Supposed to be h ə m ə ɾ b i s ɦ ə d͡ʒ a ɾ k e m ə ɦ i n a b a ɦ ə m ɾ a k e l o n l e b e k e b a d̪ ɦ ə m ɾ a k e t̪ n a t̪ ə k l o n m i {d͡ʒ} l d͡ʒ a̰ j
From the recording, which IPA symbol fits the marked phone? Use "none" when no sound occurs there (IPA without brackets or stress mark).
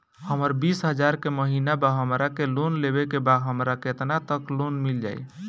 none